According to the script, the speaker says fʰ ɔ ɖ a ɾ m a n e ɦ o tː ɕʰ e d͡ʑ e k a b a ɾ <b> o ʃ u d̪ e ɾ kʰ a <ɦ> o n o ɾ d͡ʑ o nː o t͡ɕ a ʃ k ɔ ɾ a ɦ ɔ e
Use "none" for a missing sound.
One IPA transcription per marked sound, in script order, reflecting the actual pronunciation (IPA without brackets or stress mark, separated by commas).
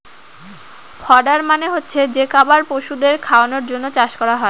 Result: p, none